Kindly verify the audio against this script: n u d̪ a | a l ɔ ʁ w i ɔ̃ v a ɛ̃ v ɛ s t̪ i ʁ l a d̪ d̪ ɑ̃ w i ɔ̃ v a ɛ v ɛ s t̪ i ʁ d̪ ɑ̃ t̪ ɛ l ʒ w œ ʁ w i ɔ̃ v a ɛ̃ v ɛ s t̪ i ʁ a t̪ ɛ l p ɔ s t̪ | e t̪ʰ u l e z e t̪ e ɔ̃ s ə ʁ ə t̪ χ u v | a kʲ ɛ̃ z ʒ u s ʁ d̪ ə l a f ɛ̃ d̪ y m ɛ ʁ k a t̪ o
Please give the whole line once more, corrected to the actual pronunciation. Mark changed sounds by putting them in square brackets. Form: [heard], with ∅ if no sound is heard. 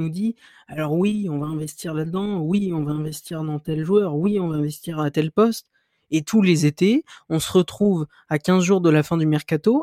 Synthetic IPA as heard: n u d̪ [i] | a l ɔ ʁ w i ɔ̃ v a ɛ̃ v ɛ s t̪ i ʁ l a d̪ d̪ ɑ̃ w i ɔ̃ v a [ɛ̃] v ɛ s t̪ i ʁ d̪ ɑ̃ t̪ ɛ l ʒ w œ ʁ w i ɔ̃ v a ɛ̃ v ɛ s t̪ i ʁ a t̪ ɛ l p ɔ s t̪ | e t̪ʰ u l e z e t̪ e ɔ̃ s ə ʁ ə t̪ χ u v | a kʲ ɛ̃ z ʒ u [∅] ʁ d̪ ə l a f ɛ̃ d̪ y m ɛ ʁ k a t̪ o